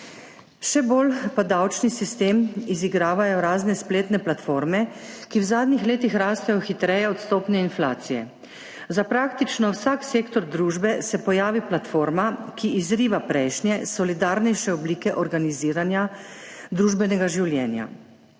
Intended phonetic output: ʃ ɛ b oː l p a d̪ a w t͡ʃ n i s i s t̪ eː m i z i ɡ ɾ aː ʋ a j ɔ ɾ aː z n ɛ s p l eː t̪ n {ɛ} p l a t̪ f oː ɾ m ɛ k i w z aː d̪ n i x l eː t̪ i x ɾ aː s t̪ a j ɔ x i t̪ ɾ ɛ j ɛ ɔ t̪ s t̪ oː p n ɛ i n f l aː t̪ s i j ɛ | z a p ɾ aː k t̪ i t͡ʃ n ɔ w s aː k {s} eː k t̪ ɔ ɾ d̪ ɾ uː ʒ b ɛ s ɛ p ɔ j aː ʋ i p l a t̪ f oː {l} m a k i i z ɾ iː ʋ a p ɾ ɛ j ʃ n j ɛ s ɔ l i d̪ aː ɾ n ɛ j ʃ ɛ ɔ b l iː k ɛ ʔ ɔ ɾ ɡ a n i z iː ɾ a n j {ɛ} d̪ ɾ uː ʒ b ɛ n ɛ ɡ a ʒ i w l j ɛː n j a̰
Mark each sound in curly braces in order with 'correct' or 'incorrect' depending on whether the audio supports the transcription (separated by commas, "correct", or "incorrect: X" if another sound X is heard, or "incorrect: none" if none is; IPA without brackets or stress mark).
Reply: correct, correct, incorrect: ɾ, incorrect: a